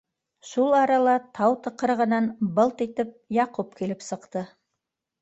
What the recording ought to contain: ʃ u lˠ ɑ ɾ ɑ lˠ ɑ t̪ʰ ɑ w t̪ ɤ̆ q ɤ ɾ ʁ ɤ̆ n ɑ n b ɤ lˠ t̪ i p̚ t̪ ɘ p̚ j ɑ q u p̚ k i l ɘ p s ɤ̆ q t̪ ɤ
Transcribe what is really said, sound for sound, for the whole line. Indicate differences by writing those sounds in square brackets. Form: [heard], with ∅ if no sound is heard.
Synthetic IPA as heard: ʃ u lˠ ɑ ɾ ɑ lˠ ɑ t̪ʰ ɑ w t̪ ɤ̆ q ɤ ɾ ʁ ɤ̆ n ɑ n b ɤ lˠ t̪ i [∅] t̪ ɘ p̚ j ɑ q u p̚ k i l ɘ p s ɤ̆ q t̪ ɤ